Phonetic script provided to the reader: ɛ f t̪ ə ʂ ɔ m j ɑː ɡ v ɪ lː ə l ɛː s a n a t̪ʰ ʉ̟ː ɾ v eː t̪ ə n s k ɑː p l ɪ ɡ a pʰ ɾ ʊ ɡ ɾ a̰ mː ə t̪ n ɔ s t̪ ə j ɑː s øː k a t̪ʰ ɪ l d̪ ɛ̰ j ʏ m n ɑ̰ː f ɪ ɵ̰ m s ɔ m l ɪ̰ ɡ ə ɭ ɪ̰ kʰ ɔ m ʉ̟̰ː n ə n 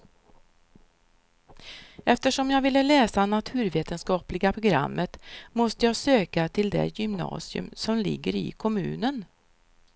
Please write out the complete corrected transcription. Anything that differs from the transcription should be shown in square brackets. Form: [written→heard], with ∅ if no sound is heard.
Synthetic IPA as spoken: ɛ f t̪ ə ʂ ɔ m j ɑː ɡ v ɪ lː ə l ɛː s a n a t̪ʰ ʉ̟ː ɾ v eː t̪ ə n s k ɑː p l ɪ ɡ a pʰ ɾ ʊ ɡ ɾ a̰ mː ə t̪ [n→m] ɔ s t̪ ə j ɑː s øː k a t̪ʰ ɪ l d̪ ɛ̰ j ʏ m n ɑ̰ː [f→s] ɪ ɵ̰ m s ɔ m l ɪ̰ [ɡ→ɡː] ə [ɭ→ɾ] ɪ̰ kʰ ɔ m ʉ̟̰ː n ə n

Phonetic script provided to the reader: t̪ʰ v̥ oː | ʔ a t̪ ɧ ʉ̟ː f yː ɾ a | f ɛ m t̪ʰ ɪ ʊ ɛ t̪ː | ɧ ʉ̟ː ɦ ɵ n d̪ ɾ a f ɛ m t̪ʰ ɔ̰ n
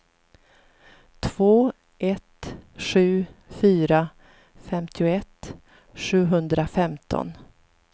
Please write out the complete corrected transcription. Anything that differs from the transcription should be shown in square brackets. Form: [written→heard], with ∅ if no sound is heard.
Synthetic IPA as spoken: t̪ʰ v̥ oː | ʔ [a→ɛ] t̪ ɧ ʉ̟ː f yː ɾ a | f ɛ m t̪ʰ ɪ ʊ ɛ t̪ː | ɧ ʉ̟ː ɦ ɵ n d̪ ɾ a f ɛ m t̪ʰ ɔ̰ n

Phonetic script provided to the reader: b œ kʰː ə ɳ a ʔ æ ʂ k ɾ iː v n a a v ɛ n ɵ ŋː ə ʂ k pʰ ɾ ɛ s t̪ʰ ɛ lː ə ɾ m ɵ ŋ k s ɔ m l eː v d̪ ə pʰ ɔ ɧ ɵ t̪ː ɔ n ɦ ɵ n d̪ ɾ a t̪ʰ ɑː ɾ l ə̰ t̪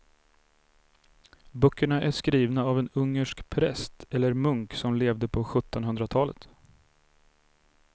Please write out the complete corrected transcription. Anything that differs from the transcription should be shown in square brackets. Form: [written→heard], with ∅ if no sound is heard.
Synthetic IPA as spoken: b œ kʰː ə ɳ a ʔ æ ʂ k ɾ iː v n a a v ɛ n ɵ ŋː ə ʂ k pʰ ɾ ɛ s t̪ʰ ɛ lː ə ɾ m ɵ ŋ k s ɔ m l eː v d̪ ə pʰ ɔ ɧ ɵ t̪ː ɔ n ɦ ɵ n d̪ ɾ a t̪ʰ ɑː [ɾ→∅] l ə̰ t̪

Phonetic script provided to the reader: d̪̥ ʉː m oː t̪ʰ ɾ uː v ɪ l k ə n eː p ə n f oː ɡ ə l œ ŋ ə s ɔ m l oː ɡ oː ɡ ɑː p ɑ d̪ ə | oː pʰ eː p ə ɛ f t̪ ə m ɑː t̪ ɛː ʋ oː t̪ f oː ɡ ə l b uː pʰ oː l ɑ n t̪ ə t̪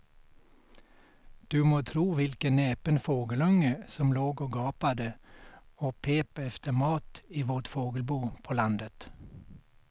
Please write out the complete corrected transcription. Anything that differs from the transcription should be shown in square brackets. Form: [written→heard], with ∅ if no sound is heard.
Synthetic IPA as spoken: d̪̥ ʉː m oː t̪ʰ ɾ uː [v→ʋ] ɪ l k ə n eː p ə n f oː ɡ ə l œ ŋ ə s ɔ m l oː ɡ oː ɡ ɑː p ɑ d̪ ə | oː pʰ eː p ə ɛ f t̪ ə m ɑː t̪ [ɛː→iː] ʋ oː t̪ f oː ɡ ə l b uː pʰ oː l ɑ n [t̪→d̪] ə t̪

